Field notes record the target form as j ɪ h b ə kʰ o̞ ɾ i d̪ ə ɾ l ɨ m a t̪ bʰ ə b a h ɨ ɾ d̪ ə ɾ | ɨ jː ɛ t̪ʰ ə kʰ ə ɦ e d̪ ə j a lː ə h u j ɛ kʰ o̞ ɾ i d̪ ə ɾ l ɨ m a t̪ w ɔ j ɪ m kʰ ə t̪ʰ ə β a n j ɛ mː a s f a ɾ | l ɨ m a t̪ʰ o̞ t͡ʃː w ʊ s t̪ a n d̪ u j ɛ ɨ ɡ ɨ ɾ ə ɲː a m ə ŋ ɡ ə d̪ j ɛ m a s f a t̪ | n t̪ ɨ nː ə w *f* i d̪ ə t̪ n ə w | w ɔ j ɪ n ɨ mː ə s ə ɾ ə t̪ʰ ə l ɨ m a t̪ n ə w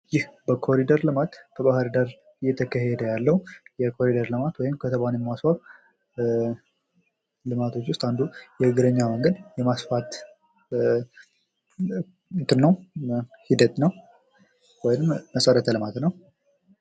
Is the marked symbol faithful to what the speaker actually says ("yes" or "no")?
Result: no